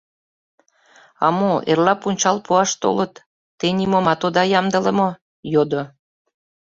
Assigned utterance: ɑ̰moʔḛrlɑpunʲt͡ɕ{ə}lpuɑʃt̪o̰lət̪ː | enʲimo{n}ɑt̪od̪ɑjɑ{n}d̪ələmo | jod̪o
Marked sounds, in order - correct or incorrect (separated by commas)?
incorrect, incorrect, incorrect